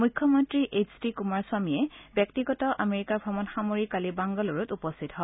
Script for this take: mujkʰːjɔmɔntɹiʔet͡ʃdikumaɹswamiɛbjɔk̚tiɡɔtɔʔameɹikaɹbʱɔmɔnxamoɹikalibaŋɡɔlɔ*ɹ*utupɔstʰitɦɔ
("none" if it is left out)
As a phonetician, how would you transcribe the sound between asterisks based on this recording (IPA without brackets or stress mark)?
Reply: ɹ